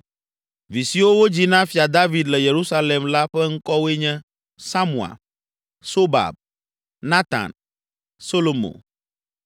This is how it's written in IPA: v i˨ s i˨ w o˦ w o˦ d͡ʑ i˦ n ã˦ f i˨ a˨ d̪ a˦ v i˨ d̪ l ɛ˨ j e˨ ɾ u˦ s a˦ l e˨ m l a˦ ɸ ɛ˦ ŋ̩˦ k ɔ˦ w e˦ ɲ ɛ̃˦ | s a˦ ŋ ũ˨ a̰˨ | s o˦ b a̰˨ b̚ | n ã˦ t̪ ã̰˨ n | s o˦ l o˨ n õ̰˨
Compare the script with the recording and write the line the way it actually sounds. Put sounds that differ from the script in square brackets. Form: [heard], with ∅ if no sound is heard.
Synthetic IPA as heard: v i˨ s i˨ w o˦ w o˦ d͡ʑ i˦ n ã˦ f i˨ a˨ d̪ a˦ v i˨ d̪ l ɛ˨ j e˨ ɾ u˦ s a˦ l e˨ m l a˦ ɸ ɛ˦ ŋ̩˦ k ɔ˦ w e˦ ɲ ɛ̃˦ | s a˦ [m] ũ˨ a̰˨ | s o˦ b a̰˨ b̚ | n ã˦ t̪ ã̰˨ n | s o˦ l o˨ [m] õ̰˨